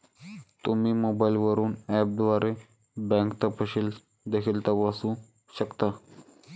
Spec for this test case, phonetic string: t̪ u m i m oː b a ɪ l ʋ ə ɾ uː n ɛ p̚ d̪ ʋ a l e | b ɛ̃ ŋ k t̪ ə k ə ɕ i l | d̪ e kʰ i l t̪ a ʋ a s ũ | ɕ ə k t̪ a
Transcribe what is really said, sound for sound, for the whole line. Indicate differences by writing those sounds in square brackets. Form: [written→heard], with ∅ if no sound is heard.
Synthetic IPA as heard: t̪ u m i m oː b a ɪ l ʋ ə ɾ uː n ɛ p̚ d̪ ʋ a [l→ɾ] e | b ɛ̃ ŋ k t̪ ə [k→p] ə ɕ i l | d̪ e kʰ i l t̪ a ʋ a s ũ | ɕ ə k t̪ a

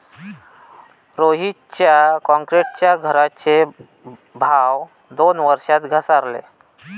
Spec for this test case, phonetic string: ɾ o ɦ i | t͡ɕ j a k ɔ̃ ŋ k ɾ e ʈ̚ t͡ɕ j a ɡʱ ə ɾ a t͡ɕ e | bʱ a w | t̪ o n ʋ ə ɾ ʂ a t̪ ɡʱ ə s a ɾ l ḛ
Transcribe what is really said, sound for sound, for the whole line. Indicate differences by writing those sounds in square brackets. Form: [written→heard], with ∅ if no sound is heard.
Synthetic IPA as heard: ɾ o ɦ i | t͡ɕ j a k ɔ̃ ŋ k ɾ e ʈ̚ t͡ɕ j a ɡʱ ə ɾ a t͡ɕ e | bʱ a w | [t̪→d̪] o n ʋ ə ɾ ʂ a t̪ ɡʱ ə s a ɾ l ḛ

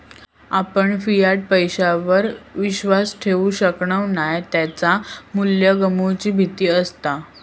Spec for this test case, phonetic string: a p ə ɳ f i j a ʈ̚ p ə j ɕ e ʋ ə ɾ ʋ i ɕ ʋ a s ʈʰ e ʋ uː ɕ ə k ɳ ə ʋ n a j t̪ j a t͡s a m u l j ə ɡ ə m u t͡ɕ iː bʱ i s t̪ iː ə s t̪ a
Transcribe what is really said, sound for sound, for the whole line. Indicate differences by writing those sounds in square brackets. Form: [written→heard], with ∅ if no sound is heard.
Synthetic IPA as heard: a p ə ɳ f i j a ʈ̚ p ə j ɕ [e→a] ʋ ə ɾ ʋ i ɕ ʋ a s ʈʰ e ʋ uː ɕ ə k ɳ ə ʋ n a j t̪ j a t͡s a m u l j ə ɡ ə m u t͡ɕ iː bʱ i [s→∅] t̪ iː ə s t̪ a

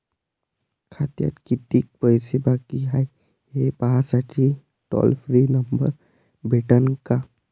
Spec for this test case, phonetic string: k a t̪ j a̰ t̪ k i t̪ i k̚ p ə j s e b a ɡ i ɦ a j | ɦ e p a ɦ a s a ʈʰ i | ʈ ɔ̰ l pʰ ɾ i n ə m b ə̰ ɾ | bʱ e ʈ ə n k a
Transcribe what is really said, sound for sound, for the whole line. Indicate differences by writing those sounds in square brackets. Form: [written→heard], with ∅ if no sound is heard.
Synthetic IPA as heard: [k→kʰ] a t̪ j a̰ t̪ k i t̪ i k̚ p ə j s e b a [ɡ→k] i ɦ a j | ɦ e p a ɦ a s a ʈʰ i | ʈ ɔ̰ l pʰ ɾ i n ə m b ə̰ ɾ | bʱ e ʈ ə n k a

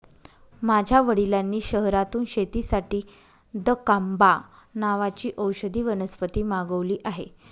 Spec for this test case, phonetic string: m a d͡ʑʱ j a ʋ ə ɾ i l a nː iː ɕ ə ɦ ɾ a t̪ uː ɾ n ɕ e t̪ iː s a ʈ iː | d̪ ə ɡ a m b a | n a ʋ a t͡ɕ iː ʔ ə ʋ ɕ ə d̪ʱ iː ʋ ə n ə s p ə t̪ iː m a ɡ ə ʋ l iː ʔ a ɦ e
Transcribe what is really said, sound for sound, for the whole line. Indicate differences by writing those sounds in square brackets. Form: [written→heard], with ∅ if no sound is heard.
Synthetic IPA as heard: m a d͡ʑʱ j a ʋ ə [ɾ→ɽ] i l a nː iː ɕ ə ɦ ɾ a t̪ uː [ɾ→∅] n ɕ e t̪ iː s a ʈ iː | d̪ ə [ɡ→k] a m b a | n a ʋ a t͡ɕ iː ʔ ə [ʋ→w] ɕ ə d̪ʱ iː ʋ ə n ə s p ə t̪ iː m a ɡ ə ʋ l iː ʔ a ɦ e

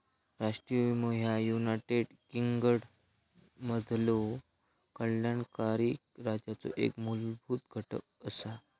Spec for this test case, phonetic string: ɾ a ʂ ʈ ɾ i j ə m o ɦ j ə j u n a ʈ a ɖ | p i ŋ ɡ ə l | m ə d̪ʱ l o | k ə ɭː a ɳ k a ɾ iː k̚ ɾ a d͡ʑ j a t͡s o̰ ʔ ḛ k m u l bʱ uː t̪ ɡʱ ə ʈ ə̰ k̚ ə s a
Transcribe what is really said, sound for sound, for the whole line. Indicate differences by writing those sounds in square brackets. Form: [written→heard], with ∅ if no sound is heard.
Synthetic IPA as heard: ɾ a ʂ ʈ ɾ i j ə m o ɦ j [ə→a] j u n a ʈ [a→e] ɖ | [p→k] i ŋ ɡ ə [l→ɽ] | m ə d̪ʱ l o | k ə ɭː a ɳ k a ɾ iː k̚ ɾ a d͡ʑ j a t͡s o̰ ʔ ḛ k m u l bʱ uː t̪ ɡʱ ə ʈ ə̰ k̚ ə s a

